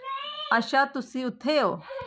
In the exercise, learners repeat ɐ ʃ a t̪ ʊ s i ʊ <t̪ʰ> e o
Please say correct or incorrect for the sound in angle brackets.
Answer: correct